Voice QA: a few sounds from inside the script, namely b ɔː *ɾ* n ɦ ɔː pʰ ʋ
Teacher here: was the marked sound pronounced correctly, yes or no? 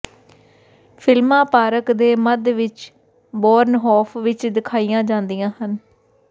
yes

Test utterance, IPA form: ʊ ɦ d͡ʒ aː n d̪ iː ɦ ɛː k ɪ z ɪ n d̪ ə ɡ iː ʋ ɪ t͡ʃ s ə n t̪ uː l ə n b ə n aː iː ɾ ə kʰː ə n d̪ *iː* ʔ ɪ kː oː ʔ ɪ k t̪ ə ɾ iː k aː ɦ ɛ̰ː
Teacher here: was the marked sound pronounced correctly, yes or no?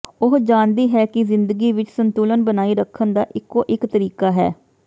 no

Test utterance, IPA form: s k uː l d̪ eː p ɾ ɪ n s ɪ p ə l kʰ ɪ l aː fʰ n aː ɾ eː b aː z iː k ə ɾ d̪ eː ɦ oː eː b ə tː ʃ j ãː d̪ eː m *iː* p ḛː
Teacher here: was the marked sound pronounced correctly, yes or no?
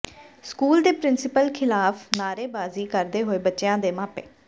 no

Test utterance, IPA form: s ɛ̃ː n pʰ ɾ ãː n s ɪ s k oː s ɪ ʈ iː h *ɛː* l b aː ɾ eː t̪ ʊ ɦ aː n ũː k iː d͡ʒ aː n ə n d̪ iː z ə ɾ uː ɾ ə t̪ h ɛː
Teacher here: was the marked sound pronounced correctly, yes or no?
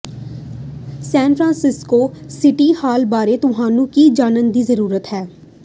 no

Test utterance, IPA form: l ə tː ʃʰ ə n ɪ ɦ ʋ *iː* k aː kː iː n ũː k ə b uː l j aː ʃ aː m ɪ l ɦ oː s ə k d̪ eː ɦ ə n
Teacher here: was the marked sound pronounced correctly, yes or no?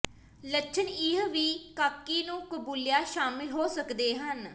yes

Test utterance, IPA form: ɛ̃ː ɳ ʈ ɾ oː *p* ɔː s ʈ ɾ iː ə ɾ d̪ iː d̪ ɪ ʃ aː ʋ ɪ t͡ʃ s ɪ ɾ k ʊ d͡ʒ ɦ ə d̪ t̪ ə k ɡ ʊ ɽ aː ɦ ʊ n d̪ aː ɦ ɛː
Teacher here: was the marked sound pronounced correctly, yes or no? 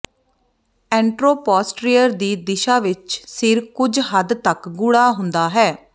yes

